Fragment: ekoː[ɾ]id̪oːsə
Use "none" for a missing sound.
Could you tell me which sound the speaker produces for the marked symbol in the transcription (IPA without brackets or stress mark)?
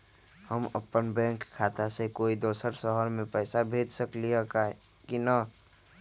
none